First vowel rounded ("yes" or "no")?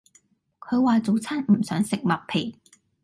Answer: yes